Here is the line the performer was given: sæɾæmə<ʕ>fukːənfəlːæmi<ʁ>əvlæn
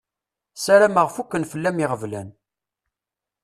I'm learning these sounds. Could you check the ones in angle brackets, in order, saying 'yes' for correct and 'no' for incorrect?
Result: no, yes

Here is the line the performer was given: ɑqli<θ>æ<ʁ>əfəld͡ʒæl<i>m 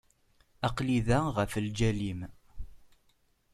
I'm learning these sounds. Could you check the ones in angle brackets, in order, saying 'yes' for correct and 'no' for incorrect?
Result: no, yes, yes

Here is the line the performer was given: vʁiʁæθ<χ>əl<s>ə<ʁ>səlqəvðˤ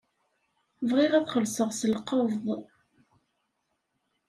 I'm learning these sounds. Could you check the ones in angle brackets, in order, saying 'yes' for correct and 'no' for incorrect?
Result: yes, yes, yes

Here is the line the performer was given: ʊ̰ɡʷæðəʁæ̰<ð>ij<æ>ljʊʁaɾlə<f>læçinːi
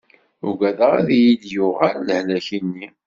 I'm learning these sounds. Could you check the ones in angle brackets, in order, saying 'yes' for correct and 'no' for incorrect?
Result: yes, no, no

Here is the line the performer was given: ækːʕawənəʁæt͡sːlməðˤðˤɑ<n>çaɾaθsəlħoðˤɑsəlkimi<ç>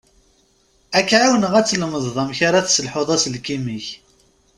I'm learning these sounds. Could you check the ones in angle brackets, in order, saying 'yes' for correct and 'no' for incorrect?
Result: no, yes

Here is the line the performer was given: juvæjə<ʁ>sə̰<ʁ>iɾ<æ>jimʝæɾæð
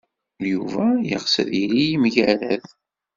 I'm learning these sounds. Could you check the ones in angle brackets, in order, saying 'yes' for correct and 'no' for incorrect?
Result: yes, no, no

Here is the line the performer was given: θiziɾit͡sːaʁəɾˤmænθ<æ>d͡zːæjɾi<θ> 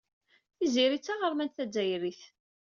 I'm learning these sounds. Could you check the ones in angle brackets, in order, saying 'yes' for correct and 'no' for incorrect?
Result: yes, yes

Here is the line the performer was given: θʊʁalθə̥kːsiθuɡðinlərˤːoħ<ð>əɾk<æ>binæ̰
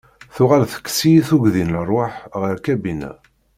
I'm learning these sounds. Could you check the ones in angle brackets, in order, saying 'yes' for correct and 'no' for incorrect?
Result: no, yes

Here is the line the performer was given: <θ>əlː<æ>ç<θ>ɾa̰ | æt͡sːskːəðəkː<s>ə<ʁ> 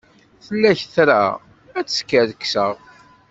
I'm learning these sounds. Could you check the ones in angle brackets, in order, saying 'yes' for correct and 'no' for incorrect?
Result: yes, yes, yes, yes, yes

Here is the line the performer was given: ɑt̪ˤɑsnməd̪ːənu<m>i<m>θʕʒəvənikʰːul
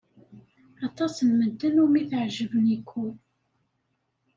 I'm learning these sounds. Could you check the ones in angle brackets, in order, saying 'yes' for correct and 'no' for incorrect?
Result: yes, no

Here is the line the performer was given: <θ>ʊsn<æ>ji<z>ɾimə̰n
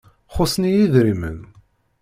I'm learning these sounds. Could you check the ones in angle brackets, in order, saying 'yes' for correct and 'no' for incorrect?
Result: no, no, no

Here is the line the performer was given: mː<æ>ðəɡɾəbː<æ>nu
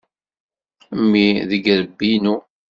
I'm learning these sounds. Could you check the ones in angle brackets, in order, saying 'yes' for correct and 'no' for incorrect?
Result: no, no

